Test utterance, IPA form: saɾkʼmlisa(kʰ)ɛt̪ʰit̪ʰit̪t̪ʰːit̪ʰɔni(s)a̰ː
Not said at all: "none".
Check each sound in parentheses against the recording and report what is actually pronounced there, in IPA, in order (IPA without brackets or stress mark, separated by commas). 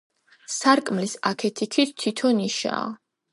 kʰ, ʃ